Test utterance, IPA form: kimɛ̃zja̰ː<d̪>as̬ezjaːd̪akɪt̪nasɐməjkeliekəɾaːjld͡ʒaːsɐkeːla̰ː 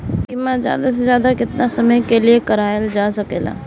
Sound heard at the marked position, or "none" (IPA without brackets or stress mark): d̪